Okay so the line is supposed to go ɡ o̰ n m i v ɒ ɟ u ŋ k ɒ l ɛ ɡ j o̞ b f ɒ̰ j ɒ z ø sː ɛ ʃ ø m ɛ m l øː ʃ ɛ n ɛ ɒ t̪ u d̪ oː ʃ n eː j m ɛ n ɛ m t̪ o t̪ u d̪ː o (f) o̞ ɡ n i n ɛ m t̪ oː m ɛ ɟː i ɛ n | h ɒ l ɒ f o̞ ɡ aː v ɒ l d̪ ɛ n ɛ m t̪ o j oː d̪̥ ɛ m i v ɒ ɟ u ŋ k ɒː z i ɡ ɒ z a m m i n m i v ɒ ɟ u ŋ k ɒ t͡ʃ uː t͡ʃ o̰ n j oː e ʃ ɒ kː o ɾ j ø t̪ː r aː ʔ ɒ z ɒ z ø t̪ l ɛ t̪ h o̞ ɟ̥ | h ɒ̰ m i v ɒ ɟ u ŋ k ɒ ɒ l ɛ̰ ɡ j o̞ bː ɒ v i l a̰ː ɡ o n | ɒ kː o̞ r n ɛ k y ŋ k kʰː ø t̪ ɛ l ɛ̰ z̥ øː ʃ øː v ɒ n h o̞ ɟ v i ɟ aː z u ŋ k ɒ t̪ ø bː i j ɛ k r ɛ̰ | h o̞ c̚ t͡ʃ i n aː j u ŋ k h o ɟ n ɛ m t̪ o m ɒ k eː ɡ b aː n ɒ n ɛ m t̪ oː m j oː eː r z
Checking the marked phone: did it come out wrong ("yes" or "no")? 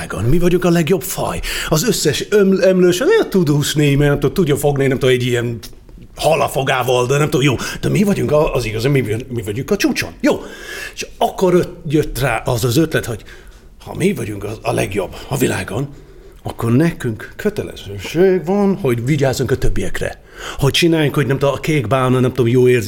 no